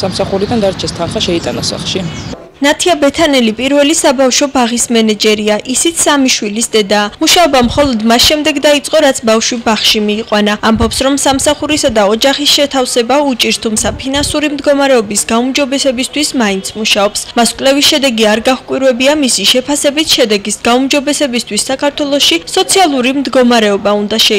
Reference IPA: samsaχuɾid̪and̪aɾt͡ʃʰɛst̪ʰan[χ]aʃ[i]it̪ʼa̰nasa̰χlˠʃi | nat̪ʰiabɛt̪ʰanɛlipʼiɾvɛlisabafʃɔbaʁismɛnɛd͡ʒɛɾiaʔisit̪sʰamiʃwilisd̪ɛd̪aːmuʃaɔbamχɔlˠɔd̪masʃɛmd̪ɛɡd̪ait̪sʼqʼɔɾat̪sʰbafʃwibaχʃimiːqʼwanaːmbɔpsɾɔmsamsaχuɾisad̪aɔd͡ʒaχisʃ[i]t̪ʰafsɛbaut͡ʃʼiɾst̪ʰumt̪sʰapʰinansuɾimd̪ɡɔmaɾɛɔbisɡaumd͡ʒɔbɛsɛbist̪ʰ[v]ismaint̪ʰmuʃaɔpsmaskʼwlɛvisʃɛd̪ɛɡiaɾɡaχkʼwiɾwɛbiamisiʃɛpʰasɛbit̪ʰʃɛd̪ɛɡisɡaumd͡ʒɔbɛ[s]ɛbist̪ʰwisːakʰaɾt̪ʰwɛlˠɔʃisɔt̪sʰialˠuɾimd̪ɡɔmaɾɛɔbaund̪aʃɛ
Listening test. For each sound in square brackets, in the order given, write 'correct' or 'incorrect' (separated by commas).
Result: correct, incorrect, incorrect, incorrect, correct